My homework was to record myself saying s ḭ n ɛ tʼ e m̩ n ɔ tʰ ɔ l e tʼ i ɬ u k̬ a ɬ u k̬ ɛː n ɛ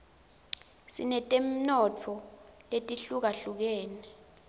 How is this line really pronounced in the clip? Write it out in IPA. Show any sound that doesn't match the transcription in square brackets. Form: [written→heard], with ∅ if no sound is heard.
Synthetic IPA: s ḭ n ɛ tʼ e m̩ n ɔ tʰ ɔ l e tʼ i ɬ u k̬ a ɬ u k̬ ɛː n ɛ